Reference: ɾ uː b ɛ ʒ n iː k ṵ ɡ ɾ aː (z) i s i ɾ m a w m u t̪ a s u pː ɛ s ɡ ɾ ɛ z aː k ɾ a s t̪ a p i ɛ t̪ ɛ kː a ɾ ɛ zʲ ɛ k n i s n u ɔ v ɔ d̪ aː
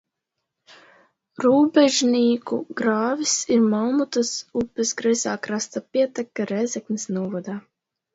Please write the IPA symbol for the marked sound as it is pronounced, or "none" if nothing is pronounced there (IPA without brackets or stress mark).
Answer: v